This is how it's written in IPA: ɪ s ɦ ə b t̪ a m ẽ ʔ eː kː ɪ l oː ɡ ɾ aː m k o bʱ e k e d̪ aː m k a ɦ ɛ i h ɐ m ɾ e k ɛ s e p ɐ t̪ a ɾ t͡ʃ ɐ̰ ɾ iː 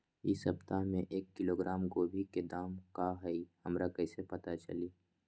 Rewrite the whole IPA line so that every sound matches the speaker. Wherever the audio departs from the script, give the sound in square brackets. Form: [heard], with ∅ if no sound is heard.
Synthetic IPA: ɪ s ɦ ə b t̪ a m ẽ ʔ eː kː ɪ l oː ɡ ɾ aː m k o bʱ [i] k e d̪ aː m k a ɦ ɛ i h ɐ m ɾ [a] k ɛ s e p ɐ t̪ a [∅] t͡ʃ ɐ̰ [l] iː